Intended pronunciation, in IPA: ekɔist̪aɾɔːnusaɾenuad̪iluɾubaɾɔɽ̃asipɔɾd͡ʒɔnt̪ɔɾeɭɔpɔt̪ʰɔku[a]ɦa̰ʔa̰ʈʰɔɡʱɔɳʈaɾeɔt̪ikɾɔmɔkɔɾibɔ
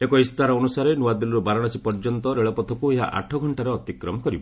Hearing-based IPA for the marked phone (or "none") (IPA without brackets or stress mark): e